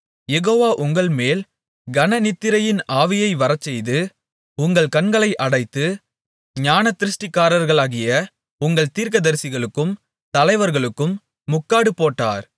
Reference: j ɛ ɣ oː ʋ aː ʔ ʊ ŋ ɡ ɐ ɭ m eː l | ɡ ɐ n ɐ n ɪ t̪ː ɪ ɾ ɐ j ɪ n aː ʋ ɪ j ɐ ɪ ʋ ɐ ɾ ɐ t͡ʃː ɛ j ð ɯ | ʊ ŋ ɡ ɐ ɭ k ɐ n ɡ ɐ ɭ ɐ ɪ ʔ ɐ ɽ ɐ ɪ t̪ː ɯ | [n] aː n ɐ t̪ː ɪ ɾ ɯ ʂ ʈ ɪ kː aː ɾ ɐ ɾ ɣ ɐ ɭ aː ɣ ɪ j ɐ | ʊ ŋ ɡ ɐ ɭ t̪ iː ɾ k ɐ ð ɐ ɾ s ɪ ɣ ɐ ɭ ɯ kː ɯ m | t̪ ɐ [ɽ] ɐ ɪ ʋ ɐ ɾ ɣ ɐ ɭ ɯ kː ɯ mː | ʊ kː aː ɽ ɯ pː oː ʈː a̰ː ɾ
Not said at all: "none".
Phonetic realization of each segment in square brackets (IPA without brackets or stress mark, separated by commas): ɲ, l